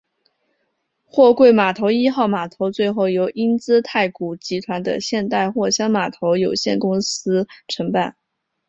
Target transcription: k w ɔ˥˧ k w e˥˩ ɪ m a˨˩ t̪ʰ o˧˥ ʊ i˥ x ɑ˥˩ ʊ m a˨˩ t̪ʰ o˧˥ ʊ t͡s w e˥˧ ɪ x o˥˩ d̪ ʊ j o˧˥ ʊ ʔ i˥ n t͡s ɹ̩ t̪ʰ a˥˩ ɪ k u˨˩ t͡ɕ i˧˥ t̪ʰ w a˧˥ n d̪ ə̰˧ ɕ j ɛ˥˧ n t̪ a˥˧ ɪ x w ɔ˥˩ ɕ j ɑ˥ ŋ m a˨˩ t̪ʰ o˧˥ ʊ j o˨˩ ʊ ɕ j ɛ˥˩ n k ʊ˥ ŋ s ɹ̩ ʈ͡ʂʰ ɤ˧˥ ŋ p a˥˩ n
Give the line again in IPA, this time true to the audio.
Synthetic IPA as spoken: x w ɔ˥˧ k w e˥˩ ɪ m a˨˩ t̪ʰ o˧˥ ʊ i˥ x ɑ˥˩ ʊ m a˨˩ t̪ʰ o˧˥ ʊ t͡s w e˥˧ ɪ x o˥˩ ʊ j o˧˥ ʊ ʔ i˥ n t͡s ɹ̩ t̪ʰ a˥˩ ɪ k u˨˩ t͡ɕ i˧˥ t̪ʰ w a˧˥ n d̪ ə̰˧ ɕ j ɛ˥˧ n t̪ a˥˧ ɪ x w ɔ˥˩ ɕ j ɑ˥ ŋ m a˨˩ t̪ʰ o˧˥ ʊ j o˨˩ ʊ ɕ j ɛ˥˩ n k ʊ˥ ŋ s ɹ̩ ʈ͡ʂʰ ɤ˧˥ ŋ p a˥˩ n

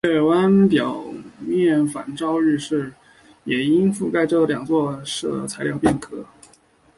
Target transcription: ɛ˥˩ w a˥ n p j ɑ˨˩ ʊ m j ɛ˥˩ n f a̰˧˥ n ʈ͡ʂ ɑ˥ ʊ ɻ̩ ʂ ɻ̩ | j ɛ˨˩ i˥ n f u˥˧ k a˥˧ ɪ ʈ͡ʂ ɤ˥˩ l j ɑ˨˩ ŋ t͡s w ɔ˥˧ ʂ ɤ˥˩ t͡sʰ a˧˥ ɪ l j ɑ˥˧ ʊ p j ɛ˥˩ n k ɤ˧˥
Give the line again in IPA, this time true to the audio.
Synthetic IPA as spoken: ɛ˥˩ w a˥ n p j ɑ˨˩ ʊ m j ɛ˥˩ n f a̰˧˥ n ʈ͡ʂ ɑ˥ ʊ ɻ̩ ʂ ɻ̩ | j ɛ˨˩ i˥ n f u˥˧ k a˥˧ ɪ ʈ͡ʂ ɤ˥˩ l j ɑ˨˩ ŋ t͡s w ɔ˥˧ ʂ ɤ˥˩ t͡sʰ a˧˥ ɪ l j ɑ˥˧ ʊ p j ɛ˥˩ n kʰ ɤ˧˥

